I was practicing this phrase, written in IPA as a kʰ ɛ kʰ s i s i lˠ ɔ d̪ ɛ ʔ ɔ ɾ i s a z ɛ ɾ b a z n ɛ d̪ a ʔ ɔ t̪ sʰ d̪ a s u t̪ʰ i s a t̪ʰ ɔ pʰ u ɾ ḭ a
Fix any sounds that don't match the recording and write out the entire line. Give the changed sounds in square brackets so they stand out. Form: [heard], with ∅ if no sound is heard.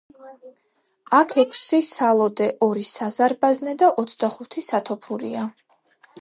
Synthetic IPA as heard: a kʰ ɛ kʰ s i s [a] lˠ ɔ d̪ ɛ ʔ ɔ ɾ i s a z [a] ɾ b a z n ɛ d̪ a ʔ ɔ t̪ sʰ d̪ a [χ] u t̪ʰ i s a t̪ʰ ɔ pʰ u ɾ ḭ a